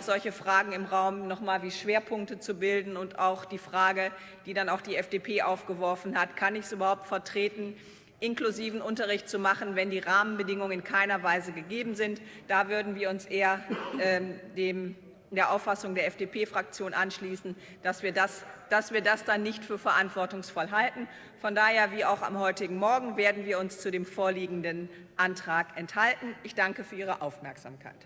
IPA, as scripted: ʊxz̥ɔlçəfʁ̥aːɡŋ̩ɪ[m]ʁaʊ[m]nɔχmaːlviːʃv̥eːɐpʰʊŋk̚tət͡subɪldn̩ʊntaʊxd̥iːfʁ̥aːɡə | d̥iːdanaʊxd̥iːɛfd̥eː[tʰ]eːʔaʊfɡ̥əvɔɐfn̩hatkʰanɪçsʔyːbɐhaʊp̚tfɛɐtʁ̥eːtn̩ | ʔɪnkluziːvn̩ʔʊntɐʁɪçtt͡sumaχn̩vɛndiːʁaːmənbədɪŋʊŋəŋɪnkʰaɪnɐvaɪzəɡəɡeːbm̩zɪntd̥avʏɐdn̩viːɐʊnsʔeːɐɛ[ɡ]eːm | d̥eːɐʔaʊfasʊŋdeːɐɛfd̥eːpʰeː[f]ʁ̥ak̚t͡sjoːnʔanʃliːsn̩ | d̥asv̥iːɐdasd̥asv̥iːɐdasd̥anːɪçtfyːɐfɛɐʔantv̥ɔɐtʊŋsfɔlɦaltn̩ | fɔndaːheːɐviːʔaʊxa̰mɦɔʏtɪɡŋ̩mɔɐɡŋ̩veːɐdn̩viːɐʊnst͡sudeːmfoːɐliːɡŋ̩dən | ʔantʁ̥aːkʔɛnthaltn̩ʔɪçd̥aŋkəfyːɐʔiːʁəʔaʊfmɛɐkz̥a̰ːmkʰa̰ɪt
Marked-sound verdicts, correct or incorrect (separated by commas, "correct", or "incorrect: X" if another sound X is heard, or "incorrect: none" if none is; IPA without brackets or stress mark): correct, correct, incorrect: pʰ, incorrect: d, correct